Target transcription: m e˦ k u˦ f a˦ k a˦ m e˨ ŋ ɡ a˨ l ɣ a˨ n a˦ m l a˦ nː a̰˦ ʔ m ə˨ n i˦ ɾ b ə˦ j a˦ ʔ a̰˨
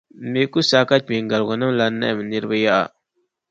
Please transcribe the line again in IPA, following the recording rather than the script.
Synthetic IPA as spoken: m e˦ k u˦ s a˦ k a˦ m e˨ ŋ ɡ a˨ l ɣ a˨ n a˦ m l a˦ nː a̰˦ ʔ m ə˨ n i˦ ɾ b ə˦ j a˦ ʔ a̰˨